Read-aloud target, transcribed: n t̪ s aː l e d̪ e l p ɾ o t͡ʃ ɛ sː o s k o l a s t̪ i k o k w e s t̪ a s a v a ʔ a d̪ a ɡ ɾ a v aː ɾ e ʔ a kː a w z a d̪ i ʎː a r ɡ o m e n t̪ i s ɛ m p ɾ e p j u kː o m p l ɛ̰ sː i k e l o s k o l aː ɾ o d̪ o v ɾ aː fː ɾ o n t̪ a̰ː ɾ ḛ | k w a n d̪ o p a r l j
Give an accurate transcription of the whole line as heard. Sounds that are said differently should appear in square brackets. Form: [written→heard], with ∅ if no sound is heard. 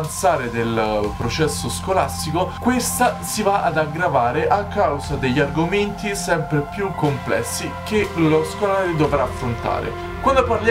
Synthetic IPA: n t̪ s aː [l→ɾ] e d̪ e l p ɾ o t͡ʃ ɛ sː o s k o l a s t̪ i k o k w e s t̪ a s [a→i] v a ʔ a d̪ a ɡ ɾ a v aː ɾ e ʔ a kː a w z a d̪ [i→e] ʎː a r ɡ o m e n t̪ i s ɛ m p ɾ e p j u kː o m p l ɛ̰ sː i k e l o s k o l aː ɾ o d̪ o v ɾ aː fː ɾ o n t̪ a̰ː ɾ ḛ | k w a n d̪ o p a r l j